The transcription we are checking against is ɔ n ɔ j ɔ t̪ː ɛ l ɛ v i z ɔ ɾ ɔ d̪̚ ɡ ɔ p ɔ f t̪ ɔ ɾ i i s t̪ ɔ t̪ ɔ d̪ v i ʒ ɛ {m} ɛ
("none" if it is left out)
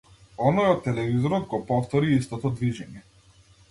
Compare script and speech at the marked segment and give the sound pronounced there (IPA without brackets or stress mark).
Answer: ɲ